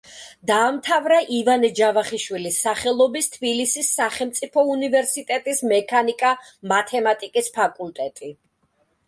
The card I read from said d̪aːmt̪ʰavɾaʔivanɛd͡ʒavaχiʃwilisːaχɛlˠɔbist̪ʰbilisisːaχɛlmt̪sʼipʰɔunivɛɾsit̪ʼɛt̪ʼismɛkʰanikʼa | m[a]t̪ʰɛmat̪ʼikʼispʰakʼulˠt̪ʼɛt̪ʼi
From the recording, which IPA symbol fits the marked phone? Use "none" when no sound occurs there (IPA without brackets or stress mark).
a